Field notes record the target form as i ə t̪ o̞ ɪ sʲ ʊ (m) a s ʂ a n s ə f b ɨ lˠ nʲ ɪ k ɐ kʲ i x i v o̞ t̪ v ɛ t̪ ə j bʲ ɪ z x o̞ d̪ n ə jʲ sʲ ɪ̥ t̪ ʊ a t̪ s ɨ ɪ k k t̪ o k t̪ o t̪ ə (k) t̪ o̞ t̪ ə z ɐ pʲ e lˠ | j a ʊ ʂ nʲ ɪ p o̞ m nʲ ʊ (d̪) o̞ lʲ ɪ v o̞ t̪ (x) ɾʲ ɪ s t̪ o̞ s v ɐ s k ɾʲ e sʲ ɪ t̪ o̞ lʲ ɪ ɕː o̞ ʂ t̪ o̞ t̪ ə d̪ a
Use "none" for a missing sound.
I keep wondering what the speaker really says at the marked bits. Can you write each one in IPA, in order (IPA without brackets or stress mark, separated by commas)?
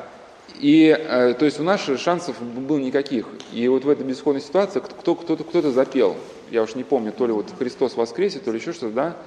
n, k, t̪, x